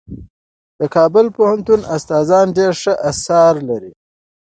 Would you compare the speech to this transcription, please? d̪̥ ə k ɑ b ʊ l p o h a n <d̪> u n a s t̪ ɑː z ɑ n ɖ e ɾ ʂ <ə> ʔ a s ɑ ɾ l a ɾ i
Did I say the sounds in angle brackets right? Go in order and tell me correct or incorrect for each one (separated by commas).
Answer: incorrect, correct